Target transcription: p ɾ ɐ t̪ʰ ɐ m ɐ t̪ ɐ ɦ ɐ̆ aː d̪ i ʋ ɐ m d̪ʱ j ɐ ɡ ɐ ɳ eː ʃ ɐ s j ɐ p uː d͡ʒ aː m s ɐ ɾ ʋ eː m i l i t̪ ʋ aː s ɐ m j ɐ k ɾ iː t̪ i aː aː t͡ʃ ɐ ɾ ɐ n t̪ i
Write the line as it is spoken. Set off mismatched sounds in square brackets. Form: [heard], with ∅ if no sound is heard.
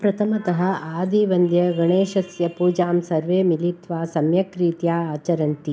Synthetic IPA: p ɾ ɐ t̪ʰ ɐ m ɐ t̪ ɐ ɦ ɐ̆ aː d̪ i ʋ ɐ [n] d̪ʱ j ɐ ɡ ɐ ɳ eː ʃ ɐ s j ɐ p uː d͡ʒ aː m s ɐ ɾ ʋ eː m i l i t̪ ʋ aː s ɐ m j ɐ k ɾ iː t̪ [j] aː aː t͡ʃ ɐ ɾ ɐ n t̪ i